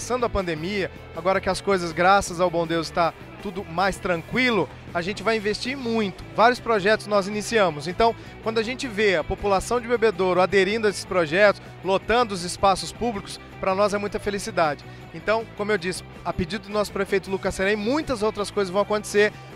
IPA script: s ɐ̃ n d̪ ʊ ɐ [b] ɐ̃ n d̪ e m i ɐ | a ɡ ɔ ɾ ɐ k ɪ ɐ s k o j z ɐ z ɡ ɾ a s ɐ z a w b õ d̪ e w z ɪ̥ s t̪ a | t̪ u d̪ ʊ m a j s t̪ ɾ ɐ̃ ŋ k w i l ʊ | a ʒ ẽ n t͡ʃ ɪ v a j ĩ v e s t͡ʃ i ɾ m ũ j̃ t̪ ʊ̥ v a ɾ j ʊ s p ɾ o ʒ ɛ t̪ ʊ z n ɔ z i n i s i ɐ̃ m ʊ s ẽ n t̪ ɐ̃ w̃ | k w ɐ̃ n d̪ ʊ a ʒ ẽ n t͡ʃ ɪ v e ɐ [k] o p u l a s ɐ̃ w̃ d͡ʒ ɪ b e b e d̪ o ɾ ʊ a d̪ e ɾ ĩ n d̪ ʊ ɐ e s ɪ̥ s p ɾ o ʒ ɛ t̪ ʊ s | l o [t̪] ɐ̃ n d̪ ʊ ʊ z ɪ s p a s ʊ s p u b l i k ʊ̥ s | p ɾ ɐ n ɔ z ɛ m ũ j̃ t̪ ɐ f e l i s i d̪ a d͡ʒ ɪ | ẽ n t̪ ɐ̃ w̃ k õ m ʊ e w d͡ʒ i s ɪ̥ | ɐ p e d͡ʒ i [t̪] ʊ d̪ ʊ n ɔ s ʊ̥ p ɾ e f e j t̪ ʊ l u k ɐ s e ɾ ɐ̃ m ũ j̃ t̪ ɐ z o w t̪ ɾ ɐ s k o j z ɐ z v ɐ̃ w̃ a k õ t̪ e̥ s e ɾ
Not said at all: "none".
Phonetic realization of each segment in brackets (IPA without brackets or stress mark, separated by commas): p, p, t̪, d̪